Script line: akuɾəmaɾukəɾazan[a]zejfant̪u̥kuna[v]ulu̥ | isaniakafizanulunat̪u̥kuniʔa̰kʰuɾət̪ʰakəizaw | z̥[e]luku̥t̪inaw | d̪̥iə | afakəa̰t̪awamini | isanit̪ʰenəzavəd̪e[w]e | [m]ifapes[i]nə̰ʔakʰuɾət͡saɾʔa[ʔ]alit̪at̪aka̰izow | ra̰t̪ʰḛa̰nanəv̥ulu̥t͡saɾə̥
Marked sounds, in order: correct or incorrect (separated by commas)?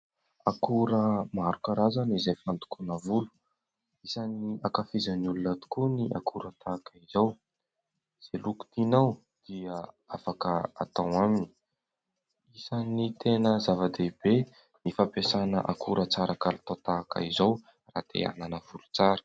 incorrect, correct, correct, incorrect, incorrect, incorrect, incorrect